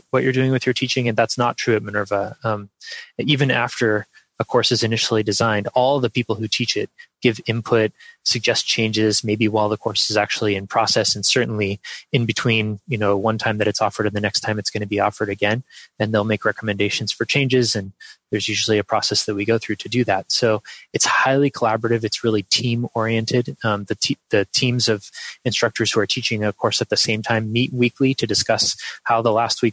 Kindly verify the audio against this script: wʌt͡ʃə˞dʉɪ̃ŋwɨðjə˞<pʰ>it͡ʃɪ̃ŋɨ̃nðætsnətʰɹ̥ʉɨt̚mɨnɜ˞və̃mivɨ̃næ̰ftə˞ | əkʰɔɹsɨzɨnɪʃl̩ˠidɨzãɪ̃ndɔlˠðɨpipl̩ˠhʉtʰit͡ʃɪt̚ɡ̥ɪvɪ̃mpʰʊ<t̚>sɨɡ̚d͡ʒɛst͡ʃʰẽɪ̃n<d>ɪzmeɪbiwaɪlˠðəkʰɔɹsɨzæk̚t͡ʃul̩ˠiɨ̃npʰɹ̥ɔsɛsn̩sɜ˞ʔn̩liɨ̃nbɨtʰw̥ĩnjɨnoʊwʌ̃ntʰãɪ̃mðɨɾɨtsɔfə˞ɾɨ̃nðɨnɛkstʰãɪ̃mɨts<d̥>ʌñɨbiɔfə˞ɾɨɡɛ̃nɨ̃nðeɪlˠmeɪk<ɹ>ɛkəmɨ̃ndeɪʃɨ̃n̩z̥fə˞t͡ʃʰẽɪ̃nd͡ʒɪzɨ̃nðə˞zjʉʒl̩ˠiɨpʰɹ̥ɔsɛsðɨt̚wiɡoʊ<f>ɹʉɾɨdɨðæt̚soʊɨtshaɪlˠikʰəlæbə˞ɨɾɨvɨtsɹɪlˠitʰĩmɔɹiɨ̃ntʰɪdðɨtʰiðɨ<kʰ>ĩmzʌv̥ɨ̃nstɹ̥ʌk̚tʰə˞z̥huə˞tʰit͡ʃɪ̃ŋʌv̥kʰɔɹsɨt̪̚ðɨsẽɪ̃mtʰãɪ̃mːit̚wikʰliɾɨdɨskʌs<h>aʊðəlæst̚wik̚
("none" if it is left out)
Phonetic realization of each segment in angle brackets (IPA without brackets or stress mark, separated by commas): tʰ, t̚, d͡ʒ, ɡ̥, ɹ, θ, tʰ, h